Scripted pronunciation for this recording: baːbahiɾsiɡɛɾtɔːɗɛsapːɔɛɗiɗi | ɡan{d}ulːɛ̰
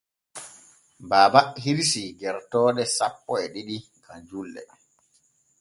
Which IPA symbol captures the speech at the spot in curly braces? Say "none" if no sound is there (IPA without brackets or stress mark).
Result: d͡ʒ